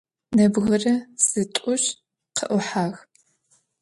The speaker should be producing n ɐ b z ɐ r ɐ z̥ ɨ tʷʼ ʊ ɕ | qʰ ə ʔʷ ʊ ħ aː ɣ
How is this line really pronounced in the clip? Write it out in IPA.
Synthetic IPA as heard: n ɐ b ɣ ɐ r ɐ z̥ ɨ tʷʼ ʊ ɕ | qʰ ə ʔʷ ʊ ħ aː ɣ